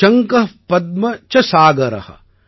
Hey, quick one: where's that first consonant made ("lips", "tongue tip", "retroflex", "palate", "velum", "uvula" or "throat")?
velum